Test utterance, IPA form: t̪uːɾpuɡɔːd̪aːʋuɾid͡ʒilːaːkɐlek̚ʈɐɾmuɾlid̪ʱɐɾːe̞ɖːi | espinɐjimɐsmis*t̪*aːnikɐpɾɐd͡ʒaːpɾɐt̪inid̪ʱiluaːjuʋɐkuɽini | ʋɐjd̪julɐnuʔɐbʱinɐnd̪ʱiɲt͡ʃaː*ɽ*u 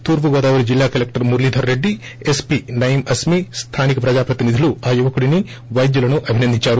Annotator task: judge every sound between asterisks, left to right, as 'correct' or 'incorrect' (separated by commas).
incorrect, incorrect